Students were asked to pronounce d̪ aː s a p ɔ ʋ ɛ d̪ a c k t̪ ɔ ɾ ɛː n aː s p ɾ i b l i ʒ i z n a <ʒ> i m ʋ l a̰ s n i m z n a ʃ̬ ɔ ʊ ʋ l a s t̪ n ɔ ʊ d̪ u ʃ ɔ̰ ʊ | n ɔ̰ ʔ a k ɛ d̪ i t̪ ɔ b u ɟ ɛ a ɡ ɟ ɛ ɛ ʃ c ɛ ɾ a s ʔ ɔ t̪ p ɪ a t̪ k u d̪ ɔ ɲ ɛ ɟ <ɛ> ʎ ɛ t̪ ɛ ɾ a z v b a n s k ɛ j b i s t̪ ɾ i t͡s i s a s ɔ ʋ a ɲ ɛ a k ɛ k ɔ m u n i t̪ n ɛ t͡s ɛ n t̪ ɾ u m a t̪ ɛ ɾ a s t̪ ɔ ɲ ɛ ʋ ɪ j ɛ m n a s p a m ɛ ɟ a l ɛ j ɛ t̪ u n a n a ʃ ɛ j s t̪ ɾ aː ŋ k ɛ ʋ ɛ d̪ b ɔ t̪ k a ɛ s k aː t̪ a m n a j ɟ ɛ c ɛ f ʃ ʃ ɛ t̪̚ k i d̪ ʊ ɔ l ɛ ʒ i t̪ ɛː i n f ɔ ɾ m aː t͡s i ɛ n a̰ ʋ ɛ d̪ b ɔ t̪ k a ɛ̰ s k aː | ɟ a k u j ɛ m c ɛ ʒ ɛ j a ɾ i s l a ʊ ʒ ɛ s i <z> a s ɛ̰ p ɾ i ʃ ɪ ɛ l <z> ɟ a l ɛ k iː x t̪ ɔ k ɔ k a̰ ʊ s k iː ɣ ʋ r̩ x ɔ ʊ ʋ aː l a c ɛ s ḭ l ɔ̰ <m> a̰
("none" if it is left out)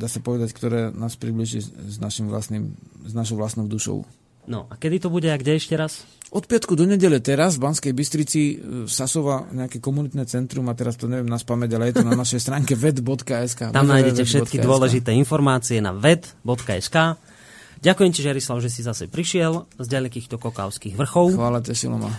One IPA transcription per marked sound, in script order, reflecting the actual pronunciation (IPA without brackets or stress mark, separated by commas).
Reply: ʃ, ɛ, z, z, m